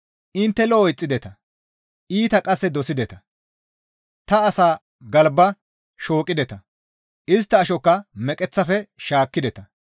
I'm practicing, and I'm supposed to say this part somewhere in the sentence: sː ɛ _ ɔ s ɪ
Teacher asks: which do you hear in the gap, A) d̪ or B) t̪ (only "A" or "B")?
A